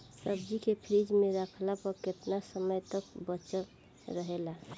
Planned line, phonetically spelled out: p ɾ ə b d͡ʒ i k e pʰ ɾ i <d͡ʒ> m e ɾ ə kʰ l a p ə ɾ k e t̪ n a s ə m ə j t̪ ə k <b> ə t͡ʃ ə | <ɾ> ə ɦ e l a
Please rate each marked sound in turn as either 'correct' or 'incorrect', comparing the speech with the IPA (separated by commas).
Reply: correct, correct, correct